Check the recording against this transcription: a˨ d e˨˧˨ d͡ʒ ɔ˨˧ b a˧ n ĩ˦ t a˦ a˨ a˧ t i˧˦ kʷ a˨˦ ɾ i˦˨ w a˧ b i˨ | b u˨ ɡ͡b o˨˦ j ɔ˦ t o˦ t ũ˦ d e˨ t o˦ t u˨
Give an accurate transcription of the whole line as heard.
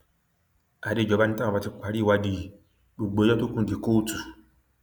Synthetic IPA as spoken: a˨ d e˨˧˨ d͡ʒ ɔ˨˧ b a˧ n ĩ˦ t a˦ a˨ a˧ t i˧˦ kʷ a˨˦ ɾ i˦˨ w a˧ d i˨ | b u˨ ɡ͡b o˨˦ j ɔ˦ t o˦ k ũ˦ d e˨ k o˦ t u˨